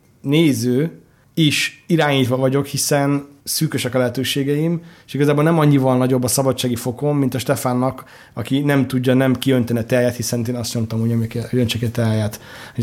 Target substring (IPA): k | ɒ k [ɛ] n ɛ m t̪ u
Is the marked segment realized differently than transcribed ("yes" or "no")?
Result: yes